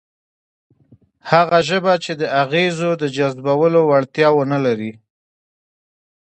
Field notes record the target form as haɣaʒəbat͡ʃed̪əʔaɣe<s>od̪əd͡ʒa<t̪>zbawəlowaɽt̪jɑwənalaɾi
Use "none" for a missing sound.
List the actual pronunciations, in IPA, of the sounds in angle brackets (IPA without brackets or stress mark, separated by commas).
z, none